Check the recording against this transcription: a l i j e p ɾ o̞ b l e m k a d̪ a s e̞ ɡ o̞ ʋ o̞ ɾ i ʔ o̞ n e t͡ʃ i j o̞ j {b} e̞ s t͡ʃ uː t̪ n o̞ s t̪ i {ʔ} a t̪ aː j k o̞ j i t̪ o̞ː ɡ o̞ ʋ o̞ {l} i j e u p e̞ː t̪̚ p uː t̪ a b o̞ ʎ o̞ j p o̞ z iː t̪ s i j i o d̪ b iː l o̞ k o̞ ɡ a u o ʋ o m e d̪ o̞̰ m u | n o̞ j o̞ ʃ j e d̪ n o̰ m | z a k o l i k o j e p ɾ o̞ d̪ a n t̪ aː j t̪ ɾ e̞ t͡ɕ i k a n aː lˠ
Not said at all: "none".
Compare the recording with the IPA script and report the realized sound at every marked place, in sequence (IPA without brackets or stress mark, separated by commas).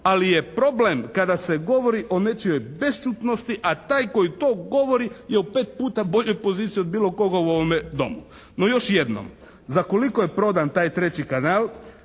b, ʔ, ɾ